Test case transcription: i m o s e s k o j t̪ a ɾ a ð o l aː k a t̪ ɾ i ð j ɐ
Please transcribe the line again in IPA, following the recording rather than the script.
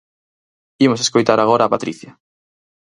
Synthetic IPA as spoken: i m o s e s k o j t̪ a ɾ a ɣ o ɾ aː p a t̪ ɾ i θ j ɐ